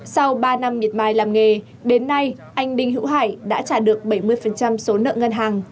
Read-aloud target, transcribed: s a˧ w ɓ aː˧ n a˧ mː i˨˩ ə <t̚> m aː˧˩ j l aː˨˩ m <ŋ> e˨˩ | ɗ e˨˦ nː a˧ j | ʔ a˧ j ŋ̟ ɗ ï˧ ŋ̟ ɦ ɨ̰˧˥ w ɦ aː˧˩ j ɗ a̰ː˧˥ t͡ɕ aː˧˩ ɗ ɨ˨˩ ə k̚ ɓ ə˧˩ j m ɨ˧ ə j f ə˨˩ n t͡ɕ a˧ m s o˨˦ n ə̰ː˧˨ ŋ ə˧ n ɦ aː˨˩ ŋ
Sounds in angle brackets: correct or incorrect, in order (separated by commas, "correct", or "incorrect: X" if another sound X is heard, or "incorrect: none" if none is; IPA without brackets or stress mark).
correct, correct